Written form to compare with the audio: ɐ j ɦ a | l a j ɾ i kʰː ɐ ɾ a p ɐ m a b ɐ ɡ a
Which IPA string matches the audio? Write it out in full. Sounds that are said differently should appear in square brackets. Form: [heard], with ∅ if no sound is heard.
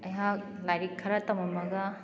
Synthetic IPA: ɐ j ɦ a | l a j ɾ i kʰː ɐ ɾ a [t] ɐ m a [m] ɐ ɡ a